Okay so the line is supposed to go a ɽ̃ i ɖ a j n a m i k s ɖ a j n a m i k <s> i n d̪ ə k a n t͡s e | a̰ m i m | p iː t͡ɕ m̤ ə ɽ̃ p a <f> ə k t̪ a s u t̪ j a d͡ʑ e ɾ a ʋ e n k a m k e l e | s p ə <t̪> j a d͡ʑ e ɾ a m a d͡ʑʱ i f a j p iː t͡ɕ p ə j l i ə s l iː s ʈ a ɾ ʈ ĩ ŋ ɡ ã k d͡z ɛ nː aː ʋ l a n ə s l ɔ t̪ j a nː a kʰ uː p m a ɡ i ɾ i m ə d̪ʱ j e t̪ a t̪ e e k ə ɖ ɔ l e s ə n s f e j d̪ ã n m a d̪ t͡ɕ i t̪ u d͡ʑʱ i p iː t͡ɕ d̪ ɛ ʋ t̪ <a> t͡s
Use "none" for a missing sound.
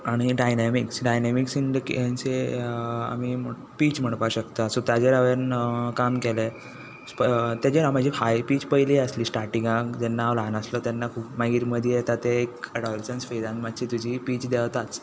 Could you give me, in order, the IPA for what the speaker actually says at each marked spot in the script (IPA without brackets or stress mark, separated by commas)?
s, ɕ, t̪, a